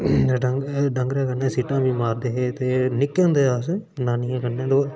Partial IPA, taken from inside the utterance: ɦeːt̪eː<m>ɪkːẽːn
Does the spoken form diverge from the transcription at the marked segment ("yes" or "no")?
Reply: yes